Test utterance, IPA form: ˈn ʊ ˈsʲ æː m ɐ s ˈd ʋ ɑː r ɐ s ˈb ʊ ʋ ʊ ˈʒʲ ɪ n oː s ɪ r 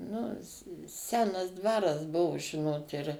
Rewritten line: ˈn ʊ ˈsʲ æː n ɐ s ˈd ʋ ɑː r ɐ s ˈb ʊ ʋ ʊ ˈʒʲ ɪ n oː t ɪ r